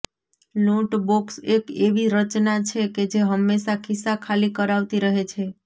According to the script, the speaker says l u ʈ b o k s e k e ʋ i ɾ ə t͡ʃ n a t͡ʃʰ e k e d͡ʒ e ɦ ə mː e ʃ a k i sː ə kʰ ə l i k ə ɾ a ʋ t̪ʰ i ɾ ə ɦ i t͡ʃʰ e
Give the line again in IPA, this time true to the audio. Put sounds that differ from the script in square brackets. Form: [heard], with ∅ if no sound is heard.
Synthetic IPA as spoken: l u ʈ b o k s e k e ʋ i ɾ ə t͡ʃ n a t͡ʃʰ e k e d͡ʒ e ɦ ə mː e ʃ a k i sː [a] kʰ [a] l i k ə ɾ a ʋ [t̪] i ɾ ə ɦ [e] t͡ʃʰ e